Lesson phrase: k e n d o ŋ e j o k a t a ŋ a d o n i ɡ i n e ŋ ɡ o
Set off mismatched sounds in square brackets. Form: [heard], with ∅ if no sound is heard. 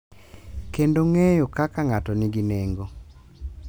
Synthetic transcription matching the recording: k e n d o ŋ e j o k a [k] a ŋ a [t] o n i ɡ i n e ŋ ɡ o